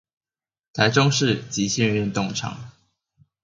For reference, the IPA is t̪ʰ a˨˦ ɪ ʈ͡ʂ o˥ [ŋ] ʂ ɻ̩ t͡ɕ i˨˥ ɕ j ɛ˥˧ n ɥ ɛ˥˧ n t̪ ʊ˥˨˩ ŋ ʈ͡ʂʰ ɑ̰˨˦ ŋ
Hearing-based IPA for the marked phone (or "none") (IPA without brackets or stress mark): ŋ